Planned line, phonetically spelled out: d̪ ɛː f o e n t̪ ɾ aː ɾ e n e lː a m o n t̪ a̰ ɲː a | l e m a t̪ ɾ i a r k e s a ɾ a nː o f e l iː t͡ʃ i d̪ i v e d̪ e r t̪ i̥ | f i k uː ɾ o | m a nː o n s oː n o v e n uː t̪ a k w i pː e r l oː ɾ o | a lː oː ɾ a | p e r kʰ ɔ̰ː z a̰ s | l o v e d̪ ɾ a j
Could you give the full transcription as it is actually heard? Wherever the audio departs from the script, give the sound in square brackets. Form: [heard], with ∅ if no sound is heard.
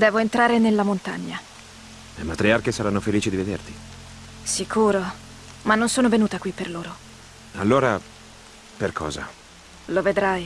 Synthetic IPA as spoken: d̪ ɛː [v] o e n t̪ ɾ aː ɾ e n e lː a m o n t̪ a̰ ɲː a | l e m a t̪ ɾ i a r k e s a ɾ a nː o f e l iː t͡ʃ i d̪ i v e d̪ e r t̪ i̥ | [s] i k uː ɾ o | m a nː o n s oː n o v e n uː t̪ a k w i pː e r l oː ɾ o | a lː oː ɾ a | p e r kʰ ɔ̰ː z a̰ [∅] | l o v e d̪ ɾ a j